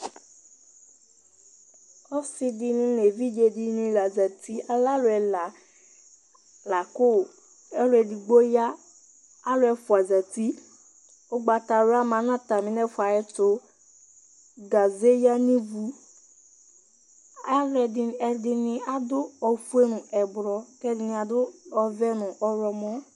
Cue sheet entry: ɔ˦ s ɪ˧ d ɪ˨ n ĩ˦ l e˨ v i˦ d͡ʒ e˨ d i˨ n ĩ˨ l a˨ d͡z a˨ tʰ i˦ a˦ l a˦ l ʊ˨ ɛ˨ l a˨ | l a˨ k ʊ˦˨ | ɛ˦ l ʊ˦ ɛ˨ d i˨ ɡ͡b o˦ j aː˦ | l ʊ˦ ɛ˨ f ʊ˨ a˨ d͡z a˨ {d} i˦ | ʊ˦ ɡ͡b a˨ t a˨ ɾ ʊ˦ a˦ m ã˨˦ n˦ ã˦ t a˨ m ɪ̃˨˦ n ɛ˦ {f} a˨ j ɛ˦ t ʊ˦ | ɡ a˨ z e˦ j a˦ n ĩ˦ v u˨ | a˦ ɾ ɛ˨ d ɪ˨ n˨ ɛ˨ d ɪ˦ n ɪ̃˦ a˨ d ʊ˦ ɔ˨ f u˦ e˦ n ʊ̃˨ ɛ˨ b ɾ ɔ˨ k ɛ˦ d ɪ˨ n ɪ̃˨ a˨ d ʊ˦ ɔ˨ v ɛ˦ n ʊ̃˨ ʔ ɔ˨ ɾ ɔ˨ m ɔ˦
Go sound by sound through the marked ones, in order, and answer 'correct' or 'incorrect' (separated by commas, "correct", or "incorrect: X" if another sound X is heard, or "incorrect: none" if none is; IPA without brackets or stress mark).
incorrect: t, correct